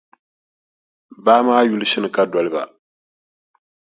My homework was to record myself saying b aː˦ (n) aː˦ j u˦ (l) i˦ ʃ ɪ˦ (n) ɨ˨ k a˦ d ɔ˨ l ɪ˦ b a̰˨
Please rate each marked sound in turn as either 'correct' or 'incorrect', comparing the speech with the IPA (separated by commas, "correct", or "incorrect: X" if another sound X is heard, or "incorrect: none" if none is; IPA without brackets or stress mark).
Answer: incorrect: m, correct, correct